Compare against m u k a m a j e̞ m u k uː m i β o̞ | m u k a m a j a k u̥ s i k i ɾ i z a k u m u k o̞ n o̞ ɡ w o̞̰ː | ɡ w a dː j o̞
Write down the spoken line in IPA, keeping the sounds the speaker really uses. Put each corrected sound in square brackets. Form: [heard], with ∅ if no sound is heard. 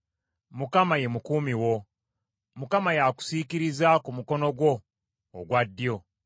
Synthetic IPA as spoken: m u k a m a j e̞ m u k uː m i [w] o̞ | m u k a m a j a k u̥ s i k i ɾ i z a k u m u k o̞ n o̞ ɡ w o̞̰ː | ɡ w a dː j o̞

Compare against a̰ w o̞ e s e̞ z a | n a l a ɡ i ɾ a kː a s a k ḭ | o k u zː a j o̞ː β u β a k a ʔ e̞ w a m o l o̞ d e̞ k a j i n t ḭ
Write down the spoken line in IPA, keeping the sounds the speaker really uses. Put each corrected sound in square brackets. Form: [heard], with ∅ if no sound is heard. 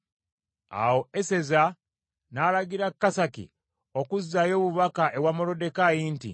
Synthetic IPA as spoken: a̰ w o̞ e s e̞ z a | n a l a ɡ i ɾ a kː a s a k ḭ | o k u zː a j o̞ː β u β a k a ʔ e̞ w a m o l o̞ d e̞ k a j i n t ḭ

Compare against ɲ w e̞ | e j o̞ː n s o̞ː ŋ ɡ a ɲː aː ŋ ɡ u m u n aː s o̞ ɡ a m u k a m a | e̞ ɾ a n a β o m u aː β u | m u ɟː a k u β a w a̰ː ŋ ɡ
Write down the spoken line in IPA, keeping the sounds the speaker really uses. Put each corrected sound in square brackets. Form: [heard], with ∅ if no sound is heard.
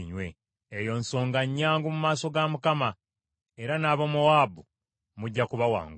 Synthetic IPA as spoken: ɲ w e̞ | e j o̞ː n s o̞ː ŋ ɡ a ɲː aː ŋ ɡ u m u [m] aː s o̞ ɡ a m u k a m a | e̞ ɾ a n a β o m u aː [b] u | m u ɟː a k u β a w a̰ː ŋ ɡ

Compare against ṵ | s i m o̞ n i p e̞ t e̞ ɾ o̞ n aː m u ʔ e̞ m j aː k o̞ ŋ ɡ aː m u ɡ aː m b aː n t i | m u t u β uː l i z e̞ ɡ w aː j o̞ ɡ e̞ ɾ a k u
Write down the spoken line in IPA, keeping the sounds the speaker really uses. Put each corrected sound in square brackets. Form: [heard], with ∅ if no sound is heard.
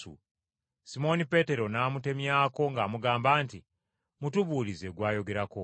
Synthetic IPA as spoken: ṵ | s i m o̞ n i p e̞ t e̞ ɾ o̞ n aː m u [t] e̞ m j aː k o̞ ŋ ɡ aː m u ɡ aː m b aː n t i | m u t u β uː l i z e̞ ɡ w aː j o̞ ɡ e̞ ɾ a k [o]

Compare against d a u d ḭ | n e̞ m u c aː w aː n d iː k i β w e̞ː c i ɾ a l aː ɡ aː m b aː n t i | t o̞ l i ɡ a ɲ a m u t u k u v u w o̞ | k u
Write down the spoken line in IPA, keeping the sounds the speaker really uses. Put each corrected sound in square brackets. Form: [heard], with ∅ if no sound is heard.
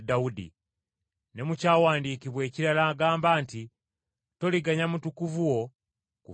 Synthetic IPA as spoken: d a u d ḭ | n e̞ m u c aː w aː n d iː k i β w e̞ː c i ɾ a l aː ɡ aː m b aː n t i | t o̞ l i ɡ a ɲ a m u t u k u v u w o̞ | k u

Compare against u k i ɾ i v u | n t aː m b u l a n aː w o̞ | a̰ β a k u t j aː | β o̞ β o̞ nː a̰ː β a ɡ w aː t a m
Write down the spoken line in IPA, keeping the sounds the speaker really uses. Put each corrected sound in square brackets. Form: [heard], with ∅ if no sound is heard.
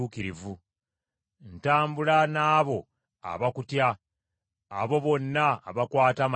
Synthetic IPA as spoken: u k i ɾ i v u | n t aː m b u l a n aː [β] o̞ | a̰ β a k u t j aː | β o̞ β o̞ nː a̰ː β a [k] w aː t a m

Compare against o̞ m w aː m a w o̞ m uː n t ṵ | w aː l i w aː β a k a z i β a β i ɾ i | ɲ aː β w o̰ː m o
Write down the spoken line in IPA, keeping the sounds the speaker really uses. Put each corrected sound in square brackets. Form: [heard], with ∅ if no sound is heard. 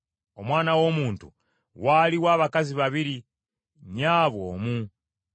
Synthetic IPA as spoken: o̞ m w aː [n] a w o̞ m uː n t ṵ | w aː l i w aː β a k a z i β a β i ɾ i | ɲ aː β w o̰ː m [u]

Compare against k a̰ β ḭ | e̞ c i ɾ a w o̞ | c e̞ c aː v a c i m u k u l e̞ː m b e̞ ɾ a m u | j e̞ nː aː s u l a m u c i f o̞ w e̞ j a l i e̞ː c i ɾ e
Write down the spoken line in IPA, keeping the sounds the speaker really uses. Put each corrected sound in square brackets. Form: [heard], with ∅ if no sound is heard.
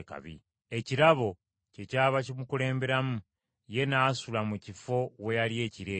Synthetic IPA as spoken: k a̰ β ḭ | e̞ c i ɾ a [β] o̞ | c e̞ c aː [β] a c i m u k u l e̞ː m b e̞ ɾ a m u | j e̞ [n] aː s u l a m u c i f o̞ w e̞ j a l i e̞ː c i ɾ e

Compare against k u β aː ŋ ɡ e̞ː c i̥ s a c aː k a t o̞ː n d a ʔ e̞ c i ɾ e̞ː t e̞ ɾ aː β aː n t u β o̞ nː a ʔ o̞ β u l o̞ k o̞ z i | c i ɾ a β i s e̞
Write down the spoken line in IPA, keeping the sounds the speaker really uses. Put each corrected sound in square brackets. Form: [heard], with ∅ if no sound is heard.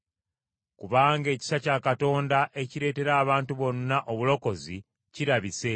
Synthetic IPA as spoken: k u β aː ŋ ɡ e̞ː c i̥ s a c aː k a t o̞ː n d a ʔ e̞ c i ɾ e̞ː t e̞ ɾ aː β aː n t u β o̞ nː a ʔ o̞ β u l o̞ k o̞ z i | c i ɾ a β i s e̞

